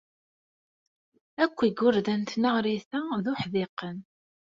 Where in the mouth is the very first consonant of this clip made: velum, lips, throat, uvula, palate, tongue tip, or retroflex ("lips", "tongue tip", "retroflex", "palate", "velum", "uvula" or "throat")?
velum